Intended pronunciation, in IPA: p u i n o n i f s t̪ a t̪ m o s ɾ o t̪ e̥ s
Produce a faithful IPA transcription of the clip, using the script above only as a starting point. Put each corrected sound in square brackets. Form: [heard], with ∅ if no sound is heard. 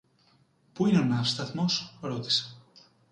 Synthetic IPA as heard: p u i n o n [a] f s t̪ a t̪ m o s ɾ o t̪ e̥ s